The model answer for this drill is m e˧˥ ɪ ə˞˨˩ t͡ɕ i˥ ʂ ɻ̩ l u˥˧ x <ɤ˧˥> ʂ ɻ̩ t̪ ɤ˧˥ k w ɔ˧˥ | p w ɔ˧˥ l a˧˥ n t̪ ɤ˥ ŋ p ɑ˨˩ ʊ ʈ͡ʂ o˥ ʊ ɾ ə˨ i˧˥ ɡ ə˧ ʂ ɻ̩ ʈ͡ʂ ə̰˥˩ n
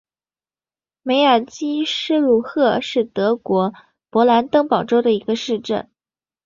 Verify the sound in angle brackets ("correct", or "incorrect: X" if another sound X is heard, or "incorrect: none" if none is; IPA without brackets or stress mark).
incorrect: ɤ˥˧